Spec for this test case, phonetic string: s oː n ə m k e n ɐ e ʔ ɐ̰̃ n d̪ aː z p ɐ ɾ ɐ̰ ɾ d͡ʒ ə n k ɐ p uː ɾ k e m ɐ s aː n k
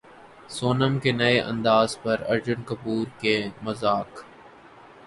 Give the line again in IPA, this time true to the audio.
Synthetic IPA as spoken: s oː n ə m k e n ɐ e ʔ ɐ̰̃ n d̪ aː z p ɐ ɾ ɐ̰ ɾ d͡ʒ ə n k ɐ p uː ɾ k e m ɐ z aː k